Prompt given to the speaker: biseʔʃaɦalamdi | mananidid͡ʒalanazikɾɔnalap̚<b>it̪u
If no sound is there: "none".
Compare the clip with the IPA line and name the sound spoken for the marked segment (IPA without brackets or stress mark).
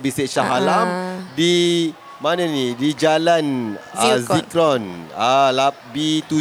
b